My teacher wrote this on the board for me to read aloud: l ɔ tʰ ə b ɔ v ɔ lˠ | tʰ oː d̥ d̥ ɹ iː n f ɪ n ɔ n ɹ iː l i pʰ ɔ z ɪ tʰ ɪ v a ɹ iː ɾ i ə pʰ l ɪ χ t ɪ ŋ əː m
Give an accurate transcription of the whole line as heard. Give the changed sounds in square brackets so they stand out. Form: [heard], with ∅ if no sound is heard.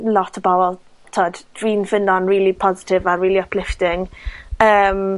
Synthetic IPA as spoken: l ɔ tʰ ə b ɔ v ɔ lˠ | tʰ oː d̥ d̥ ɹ iː n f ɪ n ɔ n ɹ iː l i pʰ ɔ z ɪ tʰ ɪ v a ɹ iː [l] i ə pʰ l ɪ [f] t ɪ ŋ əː m